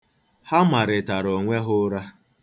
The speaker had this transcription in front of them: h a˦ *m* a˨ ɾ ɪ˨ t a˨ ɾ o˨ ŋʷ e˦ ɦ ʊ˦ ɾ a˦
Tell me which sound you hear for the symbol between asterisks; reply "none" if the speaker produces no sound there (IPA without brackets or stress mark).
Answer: m